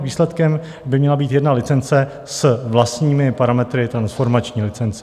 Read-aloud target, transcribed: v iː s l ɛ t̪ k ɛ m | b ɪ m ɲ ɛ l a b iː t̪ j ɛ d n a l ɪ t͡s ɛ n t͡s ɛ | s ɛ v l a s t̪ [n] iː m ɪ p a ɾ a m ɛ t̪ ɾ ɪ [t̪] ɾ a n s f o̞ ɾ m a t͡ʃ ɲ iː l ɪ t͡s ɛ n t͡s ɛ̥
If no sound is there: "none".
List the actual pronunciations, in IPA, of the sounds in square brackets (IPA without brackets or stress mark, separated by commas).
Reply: ɲ, t̪